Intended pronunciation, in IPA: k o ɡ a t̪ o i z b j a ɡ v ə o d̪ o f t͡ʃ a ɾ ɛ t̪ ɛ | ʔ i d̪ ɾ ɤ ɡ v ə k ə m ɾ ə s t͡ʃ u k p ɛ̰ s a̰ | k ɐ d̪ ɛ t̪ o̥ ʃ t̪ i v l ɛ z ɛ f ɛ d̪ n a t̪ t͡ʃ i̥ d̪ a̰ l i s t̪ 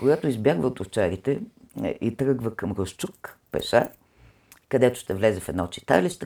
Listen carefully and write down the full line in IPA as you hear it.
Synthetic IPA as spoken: k o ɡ a t̪ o i z b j a ɡ v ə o t̪ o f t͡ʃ a ɾ i t̪ ɛ | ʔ i t̪ ɾ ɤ ɡ v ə k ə m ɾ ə s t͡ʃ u k p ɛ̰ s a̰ | k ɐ d̪ ɛ t̪ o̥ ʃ t̪ ɛ v l ɛ z ɛ f ɛ d̪ n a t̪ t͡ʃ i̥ t̪ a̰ l i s t̪